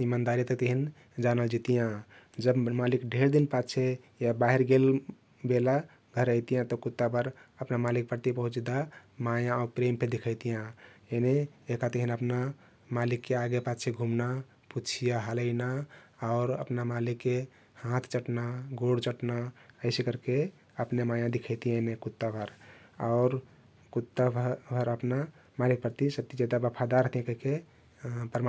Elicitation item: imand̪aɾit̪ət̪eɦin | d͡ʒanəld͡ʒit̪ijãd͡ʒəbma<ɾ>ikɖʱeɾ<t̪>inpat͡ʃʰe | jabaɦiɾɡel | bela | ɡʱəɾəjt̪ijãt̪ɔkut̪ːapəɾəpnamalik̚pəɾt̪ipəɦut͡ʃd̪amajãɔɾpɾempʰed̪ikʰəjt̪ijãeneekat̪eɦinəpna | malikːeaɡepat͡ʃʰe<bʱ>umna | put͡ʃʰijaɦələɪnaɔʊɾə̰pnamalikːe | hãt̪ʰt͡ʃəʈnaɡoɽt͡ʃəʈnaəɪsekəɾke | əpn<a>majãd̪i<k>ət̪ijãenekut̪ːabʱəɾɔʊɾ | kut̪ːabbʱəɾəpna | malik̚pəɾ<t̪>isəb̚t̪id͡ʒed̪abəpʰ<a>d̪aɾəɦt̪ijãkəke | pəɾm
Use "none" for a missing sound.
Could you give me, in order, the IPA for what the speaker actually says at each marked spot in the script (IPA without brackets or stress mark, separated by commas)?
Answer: l, d̪, ɡʱ, e, kʰ, t̪, a